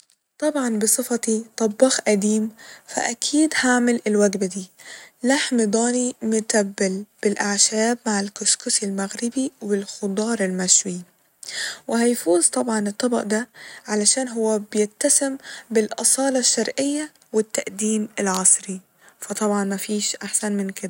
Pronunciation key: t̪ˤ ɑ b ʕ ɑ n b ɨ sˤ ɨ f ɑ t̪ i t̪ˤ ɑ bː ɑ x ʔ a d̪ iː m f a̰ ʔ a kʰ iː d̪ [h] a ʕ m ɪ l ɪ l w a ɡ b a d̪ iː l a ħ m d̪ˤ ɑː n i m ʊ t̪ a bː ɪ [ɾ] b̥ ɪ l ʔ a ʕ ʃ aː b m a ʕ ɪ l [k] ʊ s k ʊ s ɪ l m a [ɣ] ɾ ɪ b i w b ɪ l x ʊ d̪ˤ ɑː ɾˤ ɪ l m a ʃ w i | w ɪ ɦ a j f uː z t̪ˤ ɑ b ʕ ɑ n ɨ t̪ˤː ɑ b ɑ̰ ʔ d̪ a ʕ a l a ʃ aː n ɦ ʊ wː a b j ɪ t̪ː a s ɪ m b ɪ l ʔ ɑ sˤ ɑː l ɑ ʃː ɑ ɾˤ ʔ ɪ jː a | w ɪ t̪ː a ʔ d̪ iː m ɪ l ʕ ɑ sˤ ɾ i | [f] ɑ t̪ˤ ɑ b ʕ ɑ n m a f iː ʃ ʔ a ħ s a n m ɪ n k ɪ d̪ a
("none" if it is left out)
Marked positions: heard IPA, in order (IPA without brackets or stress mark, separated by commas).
h, l, k, ɣ, f